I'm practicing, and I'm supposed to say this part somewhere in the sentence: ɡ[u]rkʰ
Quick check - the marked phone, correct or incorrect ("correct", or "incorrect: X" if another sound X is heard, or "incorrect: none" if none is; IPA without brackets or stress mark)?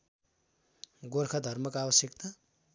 incorrect: o